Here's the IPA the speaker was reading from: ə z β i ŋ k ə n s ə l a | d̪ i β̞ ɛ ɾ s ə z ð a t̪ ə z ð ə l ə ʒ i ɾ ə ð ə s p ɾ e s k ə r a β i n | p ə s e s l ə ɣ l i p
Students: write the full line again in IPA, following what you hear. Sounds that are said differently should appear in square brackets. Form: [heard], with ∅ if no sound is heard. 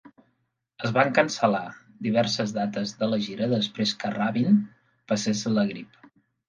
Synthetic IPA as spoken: ə z β [a] ŋ k ə n s ə l a | d̪ i β̞ ɛ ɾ s ə z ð a t̪ ə z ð ə l ə ʒ i ɾ ə ð ə s p ɾ e s k ə r a β i n | p ə s e s l ə ɣ [ɾ] i p